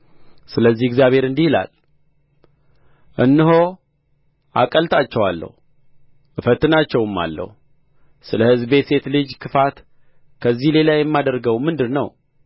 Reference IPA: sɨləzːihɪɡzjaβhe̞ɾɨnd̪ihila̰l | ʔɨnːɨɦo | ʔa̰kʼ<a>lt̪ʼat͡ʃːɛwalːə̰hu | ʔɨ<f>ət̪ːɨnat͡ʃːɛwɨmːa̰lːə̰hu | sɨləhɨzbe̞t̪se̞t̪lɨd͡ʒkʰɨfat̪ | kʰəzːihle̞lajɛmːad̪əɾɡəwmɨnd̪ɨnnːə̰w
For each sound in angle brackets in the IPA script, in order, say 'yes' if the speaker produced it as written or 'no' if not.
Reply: no, yes

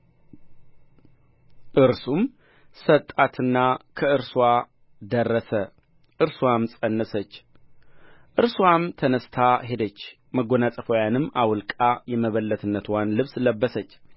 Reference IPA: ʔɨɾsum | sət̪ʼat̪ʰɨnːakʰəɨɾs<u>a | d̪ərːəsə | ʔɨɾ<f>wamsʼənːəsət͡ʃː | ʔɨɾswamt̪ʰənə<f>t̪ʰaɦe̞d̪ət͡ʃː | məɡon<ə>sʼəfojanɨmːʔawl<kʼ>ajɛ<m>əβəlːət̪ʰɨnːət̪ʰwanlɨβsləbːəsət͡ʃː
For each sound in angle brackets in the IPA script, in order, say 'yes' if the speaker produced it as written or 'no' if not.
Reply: no, no, no, no, yes, yes

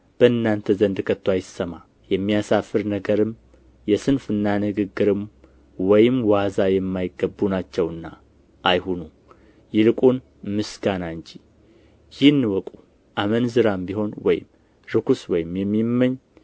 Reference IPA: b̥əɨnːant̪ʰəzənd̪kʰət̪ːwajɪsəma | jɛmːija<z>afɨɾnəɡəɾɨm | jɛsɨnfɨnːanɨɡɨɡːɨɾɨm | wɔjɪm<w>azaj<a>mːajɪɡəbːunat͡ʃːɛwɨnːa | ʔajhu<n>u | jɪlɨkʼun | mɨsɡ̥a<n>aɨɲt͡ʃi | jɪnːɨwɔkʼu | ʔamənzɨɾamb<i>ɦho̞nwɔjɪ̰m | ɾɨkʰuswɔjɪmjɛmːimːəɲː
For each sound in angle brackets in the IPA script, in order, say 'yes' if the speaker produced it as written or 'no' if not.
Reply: no, yes, no, yes, yes, yes

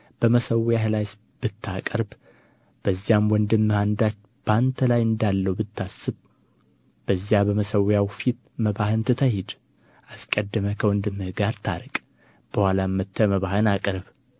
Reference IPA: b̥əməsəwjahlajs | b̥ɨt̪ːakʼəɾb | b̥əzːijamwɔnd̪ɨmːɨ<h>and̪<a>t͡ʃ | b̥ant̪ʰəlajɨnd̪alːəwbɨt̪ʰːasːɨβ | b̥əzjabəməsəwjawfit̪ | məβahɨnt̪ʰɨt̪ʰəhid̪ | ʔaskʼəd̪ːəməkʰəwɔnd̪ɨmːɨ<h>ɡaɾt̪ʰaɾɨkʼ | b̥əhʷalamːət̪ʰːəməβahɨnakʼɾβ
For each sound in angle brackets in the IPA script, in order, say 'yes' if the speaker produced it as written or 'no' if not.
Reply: yes, yes, yes

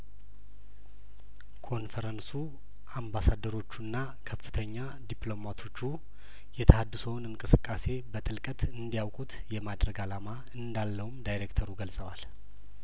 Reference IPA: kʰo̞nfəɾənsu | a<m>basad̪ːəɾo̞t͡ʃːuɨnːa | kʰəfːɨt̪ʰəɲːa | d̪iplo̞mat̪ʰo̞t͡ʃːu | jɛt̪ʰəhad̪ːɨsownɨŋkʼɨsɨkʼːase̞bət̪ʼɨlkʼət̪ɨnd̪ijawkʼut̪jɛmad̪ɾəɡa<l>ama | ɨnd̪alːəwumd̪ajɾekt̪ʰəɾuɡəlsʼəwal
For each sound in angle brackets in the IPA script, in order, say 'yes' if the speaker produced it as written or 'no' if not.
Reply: yes, yes

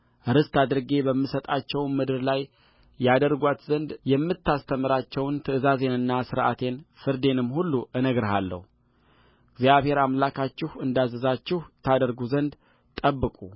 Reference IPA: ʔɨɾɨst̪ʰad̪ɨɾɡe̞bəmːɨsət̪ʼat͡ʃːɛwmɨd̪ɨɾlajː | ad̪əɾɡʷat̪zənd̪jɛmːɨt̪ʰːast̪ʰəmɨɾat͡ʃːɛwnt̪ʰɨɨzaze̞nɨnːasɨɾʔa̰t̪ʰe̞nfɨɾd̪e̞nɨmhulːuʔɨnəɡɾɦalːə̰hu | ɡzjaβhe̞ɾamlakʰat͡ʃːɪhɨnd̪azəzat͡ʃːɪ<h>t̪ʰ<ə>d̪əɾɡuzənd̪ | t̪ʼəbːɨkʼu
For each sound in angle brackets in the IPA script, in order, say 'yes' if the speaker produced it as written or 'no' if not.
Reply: yes, no

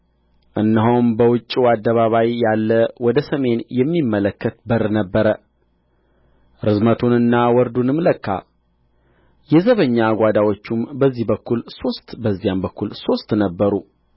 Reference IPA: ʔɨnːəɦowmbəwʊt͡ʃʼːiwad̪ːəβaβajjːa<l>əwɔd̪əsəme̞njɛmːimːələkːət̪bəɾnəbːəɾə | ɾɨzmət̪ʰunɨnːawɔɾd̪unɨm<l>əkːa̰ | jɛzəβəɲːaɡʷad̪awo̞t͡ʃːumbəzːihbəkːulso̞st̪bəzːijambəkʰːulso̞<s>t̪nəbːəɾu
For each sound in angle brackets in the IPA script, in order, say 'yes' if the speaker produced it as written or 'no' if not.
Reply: no, yes, yes

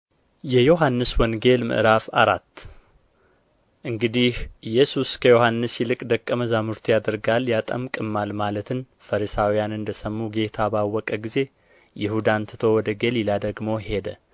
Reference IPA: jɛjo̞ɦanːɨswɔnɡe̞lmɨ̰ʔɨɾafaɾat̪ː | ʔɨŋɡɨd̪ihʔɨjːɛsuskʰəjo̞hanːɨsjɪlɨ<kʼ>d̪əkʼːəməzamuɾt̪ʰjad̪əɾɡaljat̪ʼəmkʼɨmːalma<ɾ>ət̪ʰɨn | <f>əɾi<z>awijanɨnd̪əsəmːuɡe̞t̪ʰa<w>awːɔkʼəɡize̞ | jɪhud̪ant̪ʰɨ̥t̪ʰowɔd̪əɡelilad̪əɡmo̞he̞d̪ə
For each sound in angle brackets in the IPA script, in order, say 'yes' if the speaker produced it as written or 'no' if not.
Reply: yes, no, yes, no, no

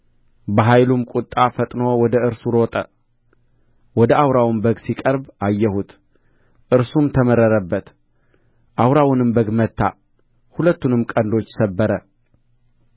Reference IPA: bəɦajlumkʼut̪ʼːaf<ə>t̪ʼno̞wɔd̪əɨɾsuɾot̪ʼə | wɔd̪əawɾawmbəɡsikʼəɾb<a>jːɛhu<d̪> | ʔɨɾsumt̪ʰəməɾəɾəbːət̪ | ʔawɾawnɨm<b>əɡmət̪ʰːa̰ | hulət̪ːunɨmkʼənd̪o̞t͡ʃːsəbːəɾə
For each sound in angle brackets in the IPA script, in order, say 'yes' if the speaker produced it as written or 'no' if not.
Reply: yes, yes, no, yes

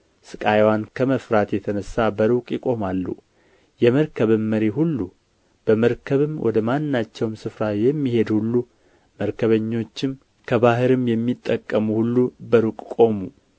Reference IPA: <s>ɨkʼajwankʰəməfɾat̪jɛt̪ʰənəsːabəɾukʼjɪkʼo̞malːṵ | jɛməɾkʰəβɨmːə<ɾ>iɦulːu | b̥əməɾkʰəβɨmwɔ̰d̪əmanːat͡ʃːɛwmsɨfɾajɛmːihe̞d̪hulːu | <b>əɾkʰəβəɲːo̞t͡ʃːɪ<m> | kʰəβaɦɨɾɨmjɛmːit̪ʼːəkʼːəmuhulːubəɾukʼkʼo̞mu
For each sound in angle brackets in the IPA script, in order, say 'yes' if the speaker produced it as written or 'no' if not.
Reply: yes, yes, no, yes

